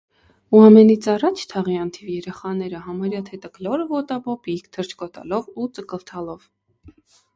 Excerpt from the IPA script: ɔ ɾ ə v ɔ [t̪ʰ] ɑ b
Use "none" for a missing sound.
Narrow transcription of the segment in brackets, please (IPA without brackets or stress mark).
t̪